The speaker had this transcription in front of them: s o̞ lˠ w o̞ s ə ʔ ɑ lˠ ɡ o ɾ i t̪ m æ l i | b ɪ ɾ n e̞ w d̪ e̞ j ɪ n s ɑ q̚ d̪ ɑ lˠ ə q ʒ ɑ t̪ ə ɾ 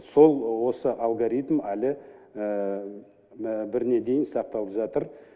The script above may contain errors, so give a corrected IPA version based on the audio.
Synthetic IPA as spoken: s o̞ lˠ w o̞ s ə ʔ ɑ lˠ ɡ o ɾ i t̪ m æ l ɪ | b ɪ ɾ n e̞ d̪ e̞ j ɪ n s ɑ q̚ t̪ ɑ lˠ ə p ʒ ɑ t̪ ə ɾ